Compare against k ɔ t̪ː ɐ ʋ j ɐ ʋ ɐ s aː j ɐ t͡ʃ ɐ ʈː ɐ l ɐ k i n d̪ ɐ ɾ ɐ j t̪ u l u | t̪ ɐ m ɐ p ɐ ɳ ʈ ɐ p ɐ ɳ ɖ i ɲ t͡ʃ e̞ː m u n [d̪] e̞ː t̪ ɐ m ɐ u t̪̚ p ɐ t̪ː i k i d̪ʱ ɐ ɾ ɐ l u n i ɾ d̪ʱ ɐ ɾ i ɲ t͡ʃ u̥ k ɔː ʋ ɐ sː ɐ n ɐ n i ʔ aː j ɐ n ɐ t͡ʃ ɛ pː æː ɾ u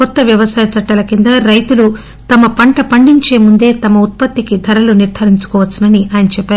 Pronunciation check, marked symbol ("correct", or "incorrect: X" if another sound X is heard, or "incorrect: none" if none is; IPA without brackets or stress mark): correct